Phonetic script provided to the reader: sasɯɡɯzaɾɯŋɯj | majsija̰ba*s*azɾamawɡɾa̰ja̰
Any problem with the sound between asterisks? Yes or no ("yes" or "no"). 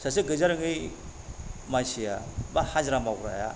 yes